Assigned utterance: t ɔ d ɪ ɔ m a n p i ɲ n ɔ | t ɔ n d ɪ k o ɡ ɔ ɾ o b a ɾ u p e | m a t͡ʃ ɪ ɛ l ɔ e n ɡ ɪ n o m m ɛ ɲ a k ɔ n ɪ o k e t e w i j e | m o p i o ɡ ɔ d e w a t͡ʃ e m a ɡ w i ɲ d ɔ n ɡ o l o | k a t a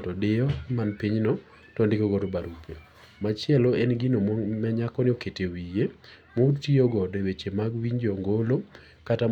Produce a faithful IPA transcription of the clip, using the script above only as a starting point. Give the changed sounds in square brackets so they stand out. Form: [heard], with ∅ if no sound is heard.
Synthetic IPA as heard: t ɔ d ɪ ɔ m a n p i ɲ n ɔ | t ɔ n d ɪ k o ɡ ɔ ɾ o b a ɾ u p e | m a t͡ʃ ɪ ɛ l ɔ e n ɡ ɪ n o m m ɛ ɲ a k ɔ n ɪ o k e t e w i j e | m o [t] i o ɡ ɔ d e w [e] t͡ʃ e m a ɡ w i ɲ [d͡ʒ] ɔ [ŋ] ɡ o l o | k a t a

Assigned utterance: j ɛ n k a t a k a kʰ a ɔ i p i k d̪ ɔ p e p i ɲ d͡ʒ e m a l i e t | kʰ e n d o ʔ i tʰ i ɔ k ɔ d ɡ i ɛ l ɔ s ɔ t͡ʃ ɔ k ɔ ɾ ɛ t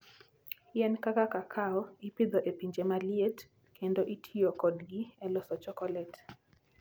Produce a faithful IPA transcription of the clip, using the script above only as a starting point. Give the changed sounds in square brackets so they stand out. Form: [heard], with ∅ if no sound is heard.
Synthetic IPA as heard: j ɛ n k a [k] a k a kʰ a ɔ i p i [∅] d̪ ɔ [ʔ] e p i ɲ d͡ʒ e m a l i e t | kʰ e n d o ʔ i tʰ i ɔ k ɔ d ɡ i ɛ l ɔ s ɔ t͡ʃ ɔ k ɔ [l] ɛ t

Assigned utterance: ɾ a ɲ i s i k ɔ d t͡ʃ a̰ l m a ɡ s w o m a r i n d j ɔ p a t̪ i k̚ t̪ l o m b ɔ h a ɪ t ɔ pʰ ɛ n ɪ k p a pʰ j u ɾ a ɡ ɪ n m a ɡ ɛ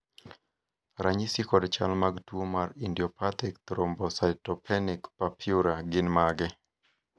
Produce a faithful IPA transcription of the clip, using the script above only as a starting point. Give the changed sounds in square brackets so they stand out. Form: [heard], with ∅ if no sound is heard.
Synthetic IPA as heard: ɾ a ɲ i s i k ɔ d t͡ʃ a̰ l m a ɡ [t] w o m a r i n d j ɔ p a t̪ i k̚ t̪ [ɾ] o m b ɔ [s] a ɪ t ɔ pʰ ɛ n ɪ k p a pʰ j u ɾ a ɡ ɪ n m a ɡ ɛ

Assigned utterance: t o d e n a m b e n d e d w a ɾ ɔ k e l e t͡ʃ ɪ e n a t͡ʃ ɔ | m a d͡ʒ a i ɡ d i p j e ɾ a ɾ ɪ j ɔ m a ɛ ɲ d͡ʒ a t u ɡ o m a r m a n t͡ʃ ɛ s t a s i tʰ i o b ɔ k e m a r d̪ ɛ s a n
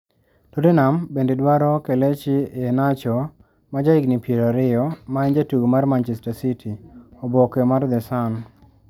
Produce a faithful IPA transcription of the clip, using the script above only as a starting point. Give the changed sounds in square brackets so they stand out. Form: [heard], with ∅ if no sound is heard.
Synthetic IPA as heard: t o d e n a m b e n d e d w a ɾ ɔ k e l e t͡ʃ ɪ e n a t͡ʃ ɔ | m a d͡ʒ a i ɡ [n] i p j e ɾ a ɾ ɪ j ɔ m a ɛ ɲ d͡ʒ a t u ɡ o m a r m a n t͡ʃ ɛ s t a s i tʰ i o b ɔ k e m a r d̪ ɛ s a n

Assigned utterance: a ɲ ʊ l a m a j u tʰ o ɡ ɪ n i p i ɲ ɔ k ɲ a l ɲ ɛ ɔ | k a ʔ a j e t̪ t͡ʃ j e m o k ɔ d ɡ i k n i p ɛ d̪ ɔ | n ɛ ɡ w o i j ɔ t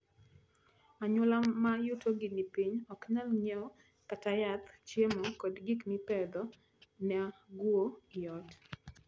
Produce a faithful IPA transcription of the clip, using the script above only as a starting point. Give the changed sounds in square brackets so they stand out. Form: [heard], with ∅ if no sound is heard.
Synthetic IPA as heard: a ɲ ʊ l a m a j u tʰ o ɡ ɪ n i p i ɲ ɔ k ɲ a l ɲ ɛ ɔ | k a [t] a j [a] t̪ t͡ʃ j e m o k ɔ d ɡ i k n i p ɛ d̪ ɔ | n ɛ ɡ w o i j ɔ t

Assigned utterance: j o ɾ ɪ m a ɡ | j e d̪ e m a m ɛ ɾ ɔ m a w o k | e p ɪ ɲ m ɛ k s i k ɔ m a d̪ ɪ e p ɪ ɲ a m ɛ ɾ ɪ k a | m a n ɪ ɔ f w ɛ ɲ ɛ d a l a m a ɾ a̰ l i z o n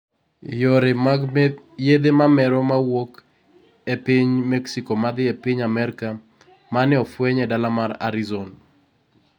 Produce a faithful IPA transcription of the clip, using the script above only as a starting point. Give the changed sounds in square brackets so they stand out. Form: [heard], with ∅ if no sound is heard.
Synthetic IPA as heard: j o ɾ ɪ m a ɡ | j e d̪ e m a m ɛ ɾ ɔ m a w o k | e p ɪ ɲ m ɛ k s i k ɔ m a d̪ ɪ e p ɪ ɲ a m ɛ ɾ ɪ k a | m a n ɪ ɔ f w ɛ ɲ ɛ d a l a m a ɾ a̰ [ɾ] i z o n

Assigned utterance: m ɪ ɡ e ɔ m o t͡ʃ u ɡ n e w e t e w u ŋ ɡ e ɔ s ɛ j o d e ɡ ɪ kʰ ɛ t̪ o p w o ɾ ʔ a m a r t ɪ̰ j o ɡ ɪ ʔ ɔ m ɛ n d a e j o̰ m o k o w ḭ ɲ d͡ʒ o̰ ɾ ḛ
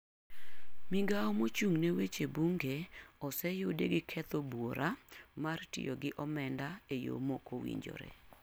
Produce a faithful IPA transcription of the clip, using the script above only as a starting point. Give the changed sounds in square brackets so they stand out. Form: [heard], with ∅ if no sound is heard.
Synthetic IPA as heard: m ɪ ɡ [a] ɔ m o t͡ʃ u [ŋ] n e w e [t͡ʃ] e [b] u ŋ ɡ e ɔ s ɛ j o d e ɡ ɪ kʰ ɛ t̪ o [b] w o ɾ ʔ a m a r t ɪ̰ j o ɡ ɪ ʔ ɔ m ɛ n d a e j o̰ m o k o w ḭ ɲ d͡ʒ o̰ ɾ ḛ

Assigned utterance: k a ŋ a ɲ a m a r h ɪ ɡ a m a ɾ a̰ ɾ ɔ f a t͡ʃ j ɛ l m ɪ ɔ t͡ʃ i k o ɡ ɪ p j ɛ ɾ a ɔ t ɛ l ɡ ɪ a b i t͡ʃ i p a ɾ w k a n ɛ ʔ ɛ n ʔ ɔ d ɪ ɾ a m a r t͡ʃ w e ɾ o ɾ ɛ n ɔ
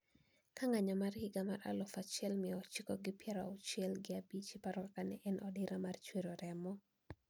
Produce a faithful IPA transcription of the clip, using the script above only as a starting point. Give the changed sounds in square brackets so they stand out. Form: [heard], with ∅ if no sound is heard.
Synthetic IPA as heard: k a ŋ a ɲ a m a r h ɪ ɡ a m a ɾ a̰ [l] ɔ f a t͡ʃ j ɛ l m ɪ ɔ t͡ʃ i k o ɡ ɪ p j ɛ ɾ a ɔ [t͡ʃ] ɛ l ɡ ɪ a b i t͡ʃ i p a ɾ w k a n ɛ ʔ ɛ n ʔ ɔ d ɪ ɾ a m a r t͡ʃ w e ɾ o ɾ ɛ [m] ɔ

